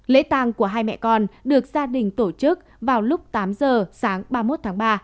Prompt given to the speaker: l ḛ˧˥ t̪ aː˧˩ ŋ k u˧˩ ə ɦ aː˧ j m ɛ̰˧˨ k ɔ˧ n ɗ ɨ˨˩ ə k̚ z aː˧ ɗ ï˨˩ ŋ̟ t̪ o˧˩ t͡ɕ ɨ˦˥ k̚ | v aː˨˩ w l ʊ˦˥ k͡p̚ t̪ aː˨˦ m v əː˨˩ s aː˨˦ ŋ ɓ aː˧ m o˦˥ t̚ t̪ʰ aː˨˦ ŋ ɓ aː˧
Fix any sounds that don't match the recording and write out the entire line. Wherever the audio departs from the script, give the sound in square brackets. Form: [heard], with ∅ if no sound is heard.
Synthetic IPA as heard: l ḛ˧˥ t̪ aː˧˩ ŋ k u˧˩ ə ɦ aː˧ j m ɛ̰˧˨ k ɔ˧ n ɗ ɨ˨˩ ə k̚ z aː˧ ɗ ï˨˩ ŋ̟ t̪ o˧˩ t͡ɕ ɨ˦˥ k̚ | v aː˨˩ w l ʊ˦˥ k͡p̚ t̪ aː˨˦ m [z] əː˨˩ s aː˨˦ ŋ ɓ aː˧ m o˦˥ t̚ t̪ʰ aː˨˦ ŋ ɓ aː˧